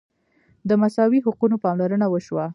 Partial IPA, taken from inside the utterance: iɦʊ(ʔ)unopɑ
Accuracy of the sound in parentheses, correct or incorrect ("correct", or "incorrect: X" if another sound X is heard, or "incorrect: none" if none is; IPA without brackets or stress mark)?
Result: incorrect: q